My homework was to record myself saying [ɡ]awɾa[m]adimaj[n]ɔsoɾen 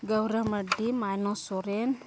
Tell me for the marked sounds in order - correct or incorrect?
correct, correct, correct

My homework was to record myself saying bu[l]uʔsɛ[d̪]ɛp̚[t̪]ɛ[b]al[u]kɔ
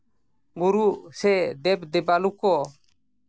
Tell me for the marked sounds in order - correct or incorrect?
incorrect: ɾ, correct, incorrect: d̪, correct, correct

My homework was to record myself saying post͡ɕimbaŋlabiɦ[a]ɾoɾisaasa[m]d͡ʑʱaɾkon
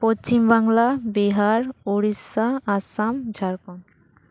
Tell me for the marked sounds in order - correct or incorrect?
correct, correct

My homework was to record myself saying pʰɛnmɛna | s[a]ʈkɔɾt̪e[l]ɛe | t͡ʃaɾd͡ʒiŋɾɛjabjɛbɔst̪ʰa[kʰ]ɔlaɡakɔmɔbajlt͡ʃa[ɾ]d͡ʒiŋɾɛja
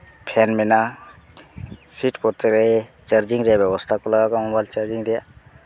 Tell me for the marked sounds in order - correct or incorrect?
incorrect: i, incorrect: ɾ, incorrect: k, correct

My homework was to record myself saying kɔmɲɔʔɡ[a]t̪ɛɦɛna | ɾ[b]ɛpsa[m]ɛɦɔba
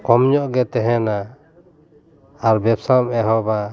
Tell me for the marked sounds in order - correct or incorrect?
incorrect: ɛ, correct, correct

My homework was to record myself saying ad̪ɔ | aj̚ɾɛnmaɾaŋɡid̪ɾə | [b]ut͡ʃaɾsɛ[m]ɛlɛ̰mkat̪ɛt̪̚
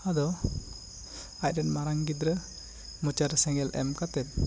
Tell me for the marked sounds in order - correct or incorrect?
incorrect: m, incorrect: ŋ

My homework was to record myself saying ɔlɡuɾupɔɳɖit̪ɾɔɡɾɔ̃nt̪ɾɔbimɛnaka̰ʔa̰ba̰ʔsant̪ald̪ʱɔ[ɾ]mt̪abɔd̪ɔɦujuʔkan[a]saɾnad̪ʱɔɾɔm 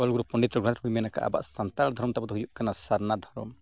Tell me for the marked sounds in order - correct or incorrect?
correct, correct

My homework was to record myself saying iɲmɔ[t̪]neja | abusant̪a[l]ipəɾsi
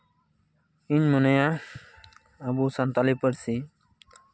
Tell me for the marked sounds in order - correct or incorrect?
incorrect: none, correct

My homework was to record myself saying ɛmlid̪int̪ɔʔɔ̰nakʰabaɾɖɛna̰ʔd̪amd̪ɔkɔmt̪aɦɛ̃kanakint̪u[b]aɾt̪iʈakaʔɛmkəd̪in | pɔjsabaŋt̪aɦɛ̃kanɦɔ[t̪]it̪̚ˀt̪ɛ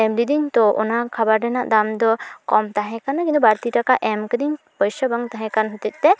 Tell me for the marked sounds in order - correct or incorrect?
correct, correct

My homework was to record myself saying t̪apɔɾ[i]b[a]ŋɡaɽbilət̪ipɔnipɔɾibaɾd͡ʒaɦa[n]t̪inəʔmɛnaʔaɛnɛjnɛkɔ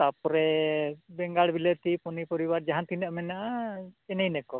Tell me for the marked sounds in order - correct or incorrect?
incorrect: ɛ, incorrect: ɛ, correct

